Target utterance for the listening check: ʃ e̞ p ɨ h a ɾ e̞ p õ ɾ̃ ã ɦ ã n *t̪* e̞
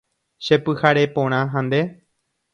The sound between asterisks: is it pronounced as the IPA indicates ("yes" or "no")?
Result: no